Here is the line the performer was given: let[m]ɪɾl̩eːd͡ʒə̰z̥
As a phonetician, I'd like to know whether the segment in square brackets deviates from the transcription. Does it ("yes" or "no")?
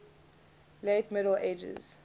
no